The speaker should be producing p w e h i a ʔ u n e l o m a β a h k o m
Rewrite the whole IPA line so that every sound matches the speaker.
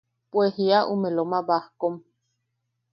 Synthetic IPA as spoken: p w e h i a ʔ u m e l o m a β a h k o m